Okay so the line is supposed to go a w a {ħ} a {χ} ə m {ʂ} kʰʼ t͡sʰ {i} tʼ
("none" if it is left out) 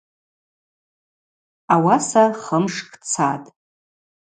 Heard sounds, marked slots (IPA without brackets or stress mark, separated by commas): s, χ, ʂ, a